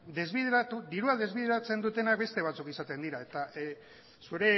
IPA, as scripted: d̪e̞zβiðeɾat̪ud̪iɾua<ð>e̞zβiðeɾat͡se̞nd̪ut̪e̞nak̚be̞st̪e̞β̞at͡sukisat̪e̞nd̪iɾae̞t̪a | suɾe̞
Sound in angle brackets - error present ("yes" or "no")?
no